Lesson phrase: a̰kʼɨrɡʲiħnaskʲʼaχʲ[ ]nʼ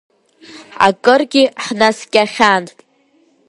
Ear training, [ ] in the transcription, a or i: a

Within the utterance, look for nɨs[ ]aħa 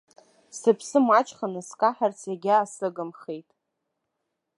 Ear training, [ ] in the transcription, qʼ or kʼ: kʼ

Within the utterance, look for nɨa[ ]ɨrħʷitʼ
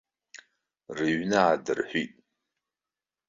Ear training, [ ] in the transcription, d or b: d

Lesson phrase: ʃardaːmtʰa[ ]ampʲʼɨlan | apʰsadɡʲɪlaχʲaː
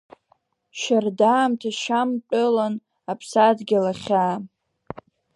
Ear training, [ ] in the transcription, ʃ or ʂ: ʃ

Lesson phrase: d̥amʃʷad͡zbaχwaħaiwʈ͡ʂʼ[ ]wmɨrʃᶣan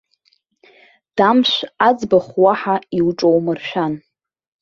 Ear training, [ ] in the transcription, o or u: o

